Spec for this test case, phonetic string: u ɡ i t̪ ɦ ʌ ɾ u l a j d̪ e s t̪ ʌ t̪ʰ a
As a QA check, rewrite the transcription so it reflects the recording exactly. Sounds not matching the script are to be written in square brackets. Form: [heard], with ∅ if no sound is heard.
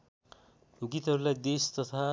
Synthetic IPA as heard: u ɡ i t̪ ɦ ʌ ɾ u l a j d̪ e s t̪ ʌ t̪ʰ a